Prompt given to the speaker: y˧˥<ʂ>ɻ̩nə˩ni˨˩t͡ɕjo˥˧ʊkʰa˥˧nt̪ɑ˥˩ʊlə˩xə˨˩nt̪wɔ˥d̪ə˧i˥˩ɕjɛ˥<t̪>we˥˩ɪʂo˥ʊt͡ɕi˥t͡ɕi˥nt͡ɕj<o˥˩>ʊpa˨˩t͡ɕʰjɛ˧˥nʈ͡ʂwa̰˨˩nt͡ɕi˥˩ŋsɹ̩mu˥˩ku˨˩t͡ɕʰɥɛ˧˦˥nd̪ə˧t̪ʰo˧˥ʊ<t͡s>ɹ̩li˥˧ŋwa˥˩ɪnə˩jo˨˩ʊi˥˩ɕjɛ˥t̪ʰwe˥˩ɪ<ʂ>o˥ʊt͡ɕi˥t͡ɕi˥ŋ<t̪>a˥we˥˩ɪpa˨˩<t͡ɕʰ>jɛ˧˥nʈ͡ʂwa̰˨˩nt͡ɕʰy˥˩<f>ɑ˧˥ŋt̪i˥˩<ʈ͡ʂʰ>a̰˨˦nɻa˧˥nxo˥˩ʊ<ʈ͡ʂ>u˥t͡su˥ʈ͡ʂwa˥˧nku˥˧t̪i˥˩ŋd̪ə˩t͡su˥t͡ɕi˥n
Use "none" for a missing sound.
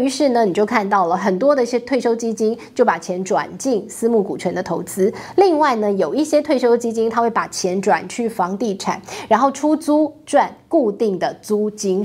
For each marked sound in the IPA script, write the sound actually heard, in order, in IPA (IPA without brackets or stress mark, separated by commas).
ʂ, t̪ʰ, o˥˩, t͡s, ʂ, t̪ʰ, t͡ɕʰ, f, ʈ͡ʂʰ, ʈ͡ʂʰ